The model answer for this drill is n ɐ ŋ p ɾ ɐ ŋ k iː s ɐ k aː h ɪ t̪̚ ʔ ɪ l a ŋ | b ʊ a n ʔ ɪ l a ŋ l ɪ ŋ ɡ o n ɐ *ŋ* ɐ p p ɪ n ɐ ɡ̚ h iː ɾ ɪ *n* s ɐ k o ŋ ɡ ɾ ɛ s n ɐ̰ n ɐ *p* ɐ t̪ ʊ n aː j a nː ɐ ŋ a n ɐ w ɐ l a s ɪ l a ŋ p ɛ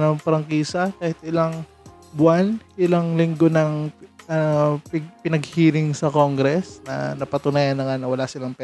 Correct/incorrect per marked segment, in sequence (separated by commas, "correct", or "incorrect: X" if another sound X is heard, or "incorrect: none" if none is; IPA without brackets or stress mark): correct, incorrect: ŋ, correct